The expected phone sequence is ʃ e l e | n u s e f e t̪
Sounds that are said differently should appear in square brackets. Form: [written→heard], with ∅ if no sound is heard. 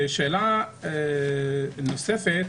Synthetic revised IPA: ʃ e l [e→a] | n [u→o] s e f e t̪

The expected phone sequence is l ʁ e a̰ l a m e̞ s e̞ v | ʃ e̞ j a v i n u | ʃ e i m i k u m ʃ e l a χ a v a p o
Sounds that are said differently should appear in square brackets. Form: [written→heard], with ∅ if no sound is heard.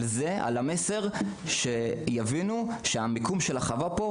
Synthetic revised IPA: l [ʁ→z] e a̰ l a m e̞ s e̞ [v→ʁ] | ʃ e̞ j a v i n u | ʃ e [i→a] m i k u m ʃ e l a χ a v a p o

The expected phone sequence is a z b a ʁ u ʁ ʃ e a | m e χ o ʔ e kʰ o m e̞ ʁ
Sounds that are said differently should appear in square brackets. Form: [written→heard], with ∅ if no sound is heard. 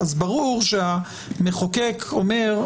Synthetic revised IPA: a z b a ʁ u ʁ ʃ e a | m e χ o [ʔ→k] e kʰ o m e̞ ʁ

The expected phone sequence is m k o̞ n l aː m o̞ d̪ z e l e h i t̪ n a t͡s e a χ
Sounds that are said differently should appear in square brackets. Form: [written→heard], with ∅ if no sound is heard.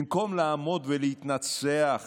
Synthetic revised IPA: m k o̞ [n→m] l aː m o̞ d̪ [z→v] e l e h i t̪ n a t͡s e a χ

